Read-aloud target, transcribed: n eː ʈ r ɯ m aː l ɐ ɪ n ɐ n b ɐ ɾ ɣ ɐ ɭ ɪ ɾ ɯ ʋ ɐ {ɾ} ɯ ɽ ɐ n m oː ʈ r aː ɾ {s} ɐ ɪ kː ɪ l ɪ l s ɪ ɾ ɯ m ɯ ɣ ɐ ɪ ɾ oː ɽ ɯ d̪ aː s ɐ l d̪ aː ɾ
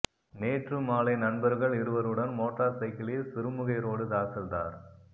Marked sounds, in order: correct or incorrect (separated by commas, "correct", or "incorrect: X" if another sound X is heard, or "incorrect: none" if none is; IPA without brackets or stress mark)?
correct, correct